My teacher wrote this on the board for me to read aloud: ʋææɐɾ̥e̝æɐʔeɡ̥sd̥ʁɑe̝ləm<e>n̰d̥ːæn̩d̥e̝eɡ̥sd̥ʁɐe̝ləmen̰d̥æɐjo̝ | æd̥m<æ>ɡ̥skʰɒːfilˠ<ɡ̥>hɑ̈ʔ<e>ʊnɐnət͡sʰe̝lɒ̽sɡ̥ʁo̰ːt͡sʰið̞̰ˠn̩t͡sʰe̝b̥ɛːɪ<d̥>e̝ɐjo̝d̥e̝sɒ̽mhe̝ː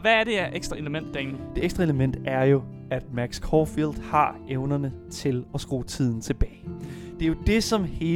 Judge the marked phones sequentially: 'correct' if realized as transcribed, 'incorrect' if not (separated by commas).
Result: correct, correct, incorrect, correct, correct